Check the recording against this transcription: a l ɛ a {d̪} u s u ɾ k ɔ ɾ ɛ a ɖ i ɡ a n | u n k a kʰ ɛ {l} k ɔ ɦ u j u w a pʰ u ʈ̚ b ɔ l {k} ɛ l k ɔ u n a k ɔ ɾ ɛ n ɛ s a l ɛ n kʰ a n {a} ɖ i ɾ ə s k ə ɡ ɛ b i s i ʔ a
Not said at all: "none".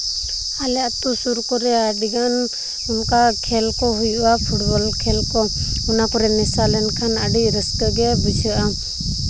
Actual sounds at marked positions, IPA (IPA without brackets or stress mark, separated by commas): t̪, l, kʰ, a